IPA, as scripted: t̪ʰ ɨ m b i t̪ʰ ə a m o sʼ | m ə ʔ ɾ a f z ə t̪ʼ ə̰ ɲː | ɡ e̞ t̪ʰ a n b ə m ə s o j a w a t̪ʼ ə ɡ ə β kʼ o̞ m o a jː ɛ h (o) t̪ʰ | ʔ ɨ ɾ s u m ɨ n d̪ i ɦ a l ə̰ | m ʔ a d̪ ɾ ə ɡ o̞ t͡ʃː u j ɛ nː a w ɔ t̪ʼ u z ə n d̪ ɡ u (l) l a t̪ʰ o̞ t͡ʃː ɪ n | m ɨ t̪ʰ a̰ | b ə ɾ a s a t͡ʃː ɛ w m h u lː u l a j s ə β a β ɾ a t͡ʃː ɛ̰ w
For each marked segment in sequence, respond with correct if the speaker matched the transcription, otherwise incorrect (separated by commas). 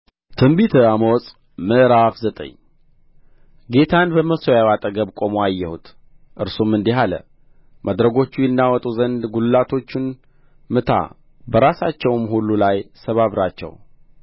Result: incorrect, correct